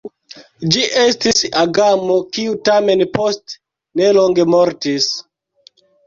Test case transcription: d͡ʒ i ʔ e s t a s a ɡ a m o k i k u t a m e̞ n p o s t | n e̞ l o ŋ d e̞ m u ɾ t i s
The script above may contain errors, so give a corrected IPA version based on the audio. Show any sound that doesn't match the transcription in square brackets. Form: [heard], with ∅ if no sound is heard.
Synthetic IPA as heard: d͡ʒ i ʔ e s t [i] s a ɡ a m o k i [∅] u t a m e̞ n p o s t | n e̞ l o ŋ [ɡ] e̞ m [o] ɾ t i s

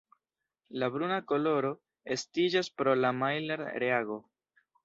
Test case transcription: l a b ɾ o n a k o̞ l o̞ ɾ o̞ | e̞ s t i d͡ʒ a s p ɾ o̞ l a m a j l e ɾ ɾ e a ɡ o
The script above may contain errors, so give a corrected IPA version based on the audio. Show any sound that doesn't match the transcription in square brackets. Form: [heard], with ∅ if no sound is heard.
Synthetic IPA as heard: l a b ɾ [u] n a k o̞ l o̞ ɾ o̞ | e̞ s t i d͡ʒ a s p ɾ o̞ l a m a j l e ɾ ɾ e a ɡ o

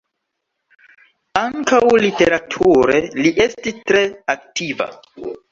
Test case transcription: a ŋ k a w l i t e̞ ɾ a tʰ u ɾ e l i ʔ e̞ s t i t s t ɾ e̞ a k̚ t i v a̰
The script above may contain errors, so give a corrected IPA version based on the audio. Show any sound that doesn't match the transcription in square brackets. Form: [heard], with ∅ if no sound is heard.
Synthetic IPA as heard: a ŋ k a w l i t e̞ ɾ a tʰ u ɾ e l i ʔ e̞ s t i [∅] s t ɾ e̞ a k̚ t i v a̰

